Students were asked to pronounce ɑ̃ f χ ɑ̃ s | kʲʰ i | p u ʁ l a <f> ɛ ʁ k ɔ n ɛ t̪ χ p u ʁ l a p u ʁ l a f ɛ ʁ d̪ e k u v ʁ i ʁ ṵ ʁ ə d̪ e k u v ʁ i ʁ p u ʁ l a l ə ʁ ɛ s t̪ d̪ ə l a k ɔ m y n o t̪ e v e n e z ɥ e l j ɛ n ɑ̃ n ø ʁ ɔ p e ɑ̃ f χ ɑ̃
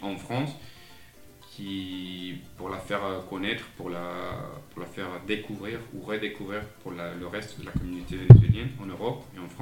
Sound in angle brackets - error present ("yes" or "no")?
no